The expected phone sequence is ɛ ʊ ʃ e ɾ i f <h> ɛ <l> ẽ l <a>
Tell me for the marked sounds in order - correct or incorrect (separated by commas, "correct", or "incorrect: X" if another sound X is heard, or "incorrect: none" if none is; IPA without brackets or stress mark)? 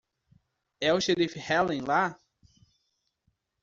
correct, correct, correct